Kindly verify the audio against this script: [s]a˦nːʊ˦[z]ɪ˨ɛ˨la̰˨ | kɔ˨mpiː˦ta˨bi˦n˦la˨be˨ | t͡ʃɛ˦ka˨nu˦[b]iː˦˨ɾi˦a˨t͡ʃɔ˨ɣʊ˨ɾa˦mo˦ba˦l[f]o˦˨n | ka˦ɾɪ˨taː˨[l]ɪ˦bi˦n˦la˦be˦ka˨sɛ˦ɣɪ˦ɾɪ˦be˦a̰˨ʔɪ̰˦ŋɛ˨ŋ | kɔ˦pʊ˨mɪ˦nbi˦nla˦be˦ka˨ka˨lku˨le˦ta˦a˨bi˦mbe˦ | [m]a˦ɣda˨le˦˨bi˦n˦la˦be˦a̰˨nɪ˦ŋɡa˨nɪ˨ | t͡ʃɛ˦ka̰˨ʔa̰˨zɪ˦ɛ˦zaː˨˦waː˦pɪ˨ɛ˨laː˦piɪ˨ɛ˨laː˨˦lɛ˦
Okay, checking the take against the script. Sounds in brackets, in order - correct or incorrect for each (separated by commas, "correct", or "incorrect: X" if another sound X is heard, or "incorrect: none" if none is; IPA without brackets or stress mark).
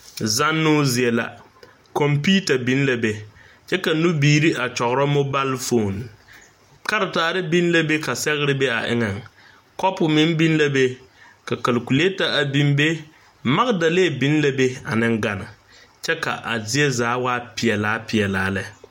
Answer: incorrect: z, correct, correct, correct, incorrect: ɾ, correct